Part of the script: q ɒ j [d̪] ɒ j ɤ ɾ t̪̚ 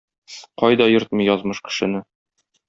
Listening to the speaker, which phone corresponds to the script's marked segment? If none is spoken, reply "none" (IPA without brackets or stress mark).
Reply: d̪